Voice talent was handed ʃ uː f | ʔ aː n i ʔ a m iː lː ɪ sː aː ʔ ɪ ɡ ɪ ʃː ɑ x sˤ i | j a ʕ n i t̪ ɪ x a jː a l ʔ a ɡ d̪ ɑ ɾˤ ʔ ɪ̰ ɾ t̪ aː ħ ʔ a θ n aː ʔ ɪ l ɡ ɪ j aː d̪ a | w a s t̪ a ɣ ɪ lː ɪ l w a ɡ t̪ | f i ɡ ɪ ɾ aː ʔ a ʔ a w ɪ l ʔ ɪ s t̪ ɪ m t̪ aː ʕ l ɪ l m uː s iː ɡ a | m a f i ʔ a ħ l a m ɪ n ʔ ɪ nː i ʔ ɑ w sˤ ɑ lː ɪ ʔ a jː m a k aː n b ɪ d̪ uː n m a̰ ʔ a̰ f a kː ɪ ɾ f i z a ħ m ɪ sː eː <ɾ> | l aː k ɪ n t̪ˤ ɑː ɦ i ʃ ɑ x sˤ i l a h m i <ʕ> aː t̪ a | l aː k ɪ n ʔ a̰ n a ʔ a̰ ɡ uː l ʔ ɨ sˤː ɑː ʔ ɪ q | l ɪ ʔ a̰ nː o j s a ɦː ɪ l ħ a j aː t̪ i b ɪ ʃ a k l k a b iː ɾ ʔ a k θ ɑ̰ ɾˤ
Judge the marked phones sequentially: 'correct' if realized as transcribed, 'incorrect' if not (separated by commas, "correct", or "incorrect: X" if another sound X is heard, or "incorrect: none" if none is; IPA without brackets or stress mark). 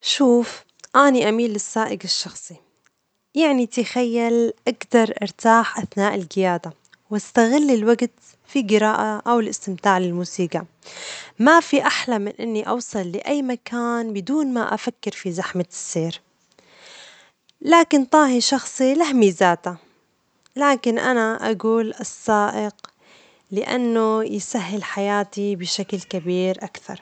correct, incorrect: z